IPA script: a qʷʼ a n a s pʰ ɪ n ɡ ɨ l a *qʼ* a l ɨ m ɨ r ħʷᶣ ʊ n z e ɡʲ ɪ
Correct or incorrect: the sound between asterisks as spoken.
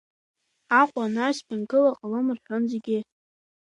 correct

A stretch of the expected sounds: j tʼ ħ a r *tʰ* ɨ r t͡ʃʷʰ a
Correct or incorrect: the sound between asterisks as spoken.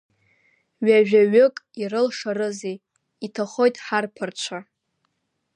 incorrect: pʰ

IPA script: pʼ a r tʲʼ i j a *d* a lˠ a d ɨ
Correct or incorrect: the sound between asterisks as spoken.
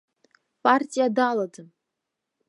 correct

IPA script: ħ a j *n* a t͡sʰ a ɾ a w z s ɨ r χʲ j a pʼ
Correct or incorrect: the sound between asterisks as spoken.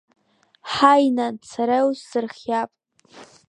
correct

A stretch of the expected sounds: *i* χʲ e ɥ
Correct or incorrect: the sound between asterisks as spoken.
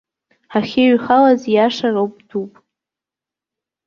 incorrect: a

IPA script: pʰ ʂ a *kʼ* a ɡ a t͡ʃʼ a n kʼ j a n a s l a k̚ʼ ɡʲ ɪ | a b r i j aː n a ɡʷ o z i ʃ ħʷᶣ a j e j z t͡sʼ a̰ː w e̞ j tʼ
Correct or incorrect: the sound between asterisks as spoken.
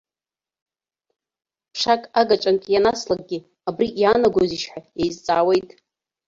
correct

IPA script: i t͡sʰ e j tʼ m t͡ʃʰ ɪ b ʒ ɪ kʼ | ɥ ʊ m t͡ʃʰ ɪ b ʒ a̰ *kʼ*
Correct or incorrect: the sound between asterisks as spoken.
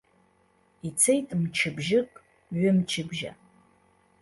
incorrect: none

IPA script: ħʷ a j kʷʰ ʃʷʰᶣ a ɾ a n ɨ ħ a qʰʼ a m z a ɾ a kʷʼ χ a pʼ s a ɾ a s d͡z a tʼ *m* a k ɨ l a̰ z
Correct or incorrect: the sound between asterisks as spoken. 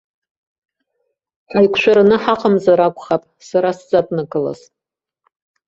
incorrect: n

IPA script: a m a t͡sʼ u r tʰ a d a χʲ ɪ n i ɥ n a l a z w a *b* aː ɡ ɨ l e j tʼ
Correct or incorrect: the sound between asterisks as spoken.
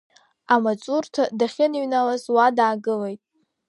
incorrect: d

